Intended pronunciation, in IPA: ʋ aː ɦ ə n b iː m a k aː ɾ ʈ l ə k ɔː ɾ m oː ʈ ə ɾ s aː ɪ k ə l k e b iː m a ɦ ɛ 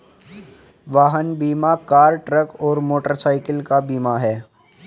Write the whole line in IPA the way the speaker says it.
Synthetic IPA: ʋ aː ɦ ə n b iː m a k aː ɾ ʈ ɾ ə k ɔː ɾ m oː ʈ ə ɾ s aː ɪ k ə l k a b iː m a ɦ ɛː